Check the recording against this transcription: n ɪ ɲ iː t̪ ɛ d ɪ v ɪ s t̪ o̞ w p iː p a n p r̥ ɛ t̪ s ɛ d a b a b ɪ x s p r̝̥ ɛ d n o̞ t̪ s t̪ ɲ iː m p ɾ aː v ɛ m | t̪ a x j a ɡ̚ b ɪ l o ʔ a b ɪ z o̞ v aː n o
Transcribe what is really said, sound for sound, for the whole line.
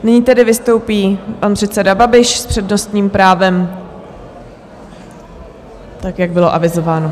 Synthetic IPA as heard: n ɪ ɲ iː t̪ ɛ d ɪ v ɪ s t̪ o̞ w p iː p a n p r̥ ɛ t̪ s ɛ d a b a b ɪ ʃ s p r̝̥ ɛ d n o̞ s t̪ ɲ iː m p ɾ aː v ɛ m | t̪ a k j a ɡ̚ b ɪ l o ʔ a v ɪ z o̞ v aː n o

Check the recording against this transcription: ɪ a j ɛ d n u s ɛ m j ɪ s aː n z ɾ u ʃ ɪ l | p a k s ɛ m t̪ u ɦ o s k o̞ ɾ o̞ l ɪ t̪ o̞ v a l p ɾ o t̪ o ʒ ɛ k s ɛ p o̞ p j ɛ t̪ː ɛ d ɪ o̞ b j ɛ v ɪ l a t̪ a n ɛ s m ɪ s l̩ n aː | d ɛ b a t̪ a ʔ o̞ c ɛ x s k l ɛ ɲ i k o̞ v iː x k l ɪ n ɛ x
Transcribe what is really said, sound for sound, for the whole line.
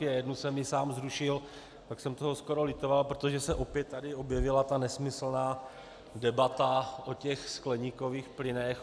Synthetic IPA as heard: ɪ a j ɛ d n u s ɛ m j ɪ s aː m z ɾ u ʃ ɪ l | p a k s ɛ m t̪ o ɦ o s k o̞ ɾ o̞ l ɪ t̪ o̞ v a l p ɾ o t̪ o ʒ ɛ s ɛ ʔ o̞ p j ɛ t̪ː a d ɪ o̞ b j ɛ v ɪ l a t̪ a n ɛ s m ɪ s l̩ n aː | d ɛ b a t̪ a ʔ o̞ c ɛ x s k l ɛ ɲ i k o̞ v iː x p l ɪ n ɛ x

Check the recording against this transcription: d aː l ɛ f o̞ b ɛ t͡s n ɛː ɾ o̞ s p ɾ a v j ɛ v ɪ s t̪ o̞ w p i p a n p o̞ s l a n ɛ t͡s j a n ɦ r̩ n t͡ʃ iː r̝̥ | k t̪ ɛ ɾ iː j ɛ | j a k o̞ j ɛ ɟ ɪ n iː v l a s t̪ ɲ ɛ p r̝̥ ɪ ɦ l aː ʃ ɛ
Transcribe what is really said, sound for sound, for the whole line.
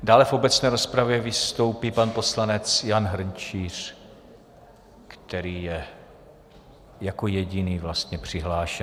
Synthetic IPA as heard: d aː l ɛ f o̞ b ɛ t͡s n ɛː ɾ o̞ s p ɾ a v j ɛ v ɪ s t̪ o̞ w p i p a n p o̞ s l a n ɛ t͡s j a n ɦ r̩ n t͡ʃ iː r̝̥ | k t̪ ɛ ɾ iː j ɛ | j a k o̞ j ɛ ɟ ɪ n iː v l a s t̪ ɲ ɛ p r̝̥ ɪ ɦ l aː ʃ ɛ

